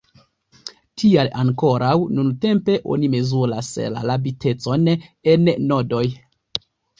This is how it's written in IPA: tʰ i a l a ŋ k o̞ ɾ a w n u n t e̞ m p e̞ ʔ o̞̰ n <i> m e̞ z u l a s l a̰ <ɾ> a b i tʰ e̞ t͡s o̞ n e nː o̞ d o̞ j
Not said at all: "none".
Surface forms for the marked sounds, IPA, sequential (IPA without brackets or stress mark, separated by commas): i, l